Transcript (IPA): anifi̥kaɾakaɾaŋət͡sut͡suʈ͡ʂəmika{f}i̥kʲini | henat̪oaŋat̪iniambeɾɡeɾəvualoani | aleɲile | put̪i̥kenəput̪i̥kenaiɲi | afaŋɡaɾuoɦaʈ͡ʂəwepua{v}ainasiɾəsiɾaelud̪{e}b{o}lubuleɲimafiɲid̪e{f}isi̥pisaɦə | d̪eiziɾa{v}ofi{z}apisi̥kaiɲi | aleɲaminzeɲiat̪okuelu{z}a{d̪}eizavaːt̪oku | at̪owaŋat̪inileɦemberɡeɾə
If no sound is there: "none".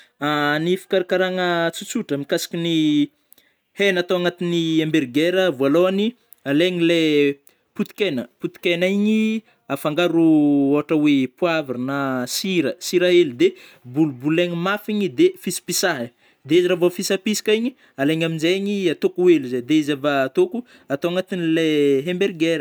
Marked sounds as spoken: s, v, e, u, f, v, s, z, d̪

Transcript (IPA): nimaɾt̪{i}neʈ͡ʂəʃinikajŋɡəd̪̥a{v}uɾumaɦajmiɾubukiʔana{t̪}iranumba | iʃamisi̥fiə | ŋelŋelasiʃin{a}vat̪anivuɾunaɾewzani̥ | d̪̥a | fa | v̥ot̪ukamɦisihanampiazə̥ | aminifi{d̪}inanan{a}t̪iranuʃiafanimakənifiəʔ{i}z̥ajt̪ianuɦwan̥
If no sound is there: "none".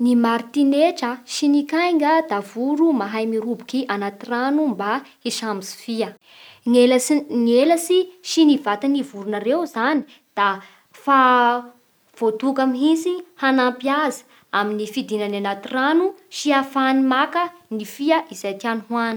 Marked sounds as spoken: i, v, t̪, i, d̪, a, i

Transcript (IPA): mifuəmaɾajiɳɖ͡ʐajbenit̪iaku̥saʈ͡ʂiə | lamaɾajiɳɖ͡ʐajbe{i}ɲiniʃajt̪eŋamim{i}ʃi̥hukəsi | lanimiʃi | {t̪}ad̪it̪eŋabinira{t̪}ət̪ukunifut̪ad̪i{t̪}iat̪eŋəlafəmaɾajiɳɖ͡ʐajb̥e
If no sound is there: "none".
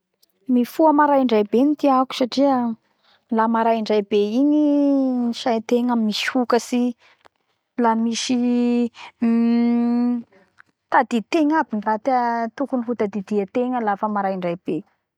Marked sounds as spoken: i, i, t̪, t̪, d̪

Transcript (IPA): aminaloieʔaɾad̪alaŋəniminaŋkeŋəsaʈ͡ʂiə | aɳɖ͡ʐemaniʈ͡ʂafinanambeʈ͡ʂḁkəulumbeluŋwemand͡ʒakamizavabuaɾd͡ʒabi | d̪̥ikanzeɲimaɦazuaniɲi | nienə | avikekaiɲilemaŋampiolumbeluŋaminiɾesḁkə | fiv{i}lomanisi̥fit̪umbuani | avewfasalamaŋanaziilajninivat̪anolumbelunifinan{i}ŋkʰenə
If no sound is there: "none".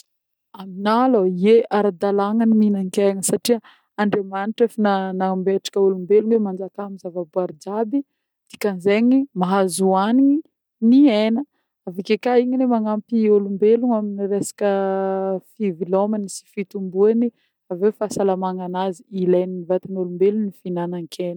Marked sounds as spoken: i, a

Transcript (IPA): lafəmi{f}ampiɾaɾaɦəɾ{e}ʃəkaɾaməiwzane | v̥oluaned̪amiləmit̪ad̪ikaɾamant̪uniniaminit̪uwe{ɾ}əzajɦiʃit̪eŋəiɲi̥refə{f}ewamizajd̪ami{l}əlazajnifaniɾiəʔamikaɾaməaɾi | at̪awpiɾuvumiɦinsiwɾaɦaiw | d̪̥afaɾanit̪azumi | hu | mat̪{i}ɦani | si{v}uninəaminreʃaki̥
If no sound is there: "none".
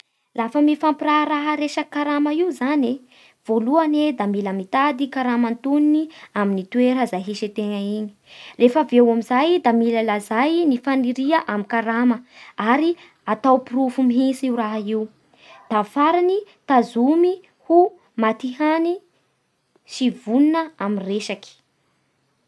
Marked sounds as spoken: f, e, ɾ, v, l, i, v

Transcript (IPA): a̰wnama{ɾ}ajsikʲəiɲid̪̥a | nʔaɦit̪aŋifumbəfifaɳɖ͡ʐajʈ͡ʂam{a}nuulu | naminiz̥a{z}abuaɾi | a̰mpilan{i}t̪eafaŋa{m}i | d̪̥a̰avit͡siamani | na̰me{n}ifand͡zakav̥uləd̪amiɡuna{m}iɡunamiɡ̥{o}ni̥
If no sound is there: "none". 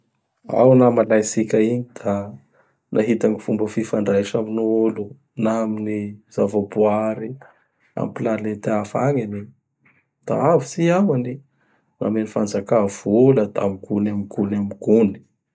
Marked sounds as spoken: l, i, v, e, n, n, m, u

